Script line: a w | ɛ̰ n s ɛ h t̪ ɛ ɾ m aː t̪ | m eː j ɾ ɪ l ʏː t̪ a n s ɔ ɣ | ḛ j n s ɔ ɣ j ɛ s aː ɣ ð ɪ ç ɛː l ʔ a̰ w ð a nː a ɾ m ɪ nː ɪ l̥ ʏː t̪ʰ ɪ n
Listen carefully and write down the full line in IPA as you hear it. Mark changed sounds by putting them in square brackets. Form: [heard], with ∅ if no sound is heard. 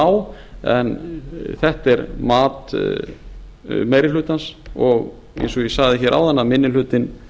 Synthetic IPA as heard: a w | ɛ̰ n [θ] ɛ h t̪ ɛ ɾ m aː t̪ | m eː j ɾ ɪ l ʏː t̪ a n s ɔ ɣ | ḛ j n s ɔ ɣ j ɛ s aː ɣ ð ɪ ç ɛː [ɾ] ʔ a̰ w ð a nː a [∅] m ɪ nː ɪ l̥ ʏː [t̪] ɪ n